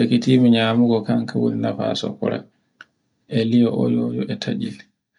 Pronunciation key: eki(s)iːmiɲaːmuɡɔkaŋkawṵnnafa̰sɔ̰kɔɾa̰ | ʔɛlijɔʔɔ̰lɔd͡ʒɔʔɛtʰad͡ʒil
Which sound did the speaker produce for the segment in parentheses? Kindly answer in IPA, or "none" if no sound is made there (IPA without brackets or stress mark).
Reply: t